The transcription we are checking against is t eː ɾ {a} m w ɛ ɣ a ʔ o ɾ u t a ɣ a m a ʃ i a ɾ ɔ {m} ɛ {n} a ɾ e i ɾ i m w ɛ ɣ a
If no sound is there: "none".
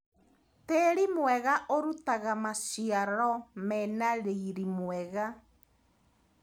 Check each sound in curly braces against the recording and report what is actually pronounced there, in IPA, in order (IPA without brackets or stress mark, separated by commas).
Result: i, m, n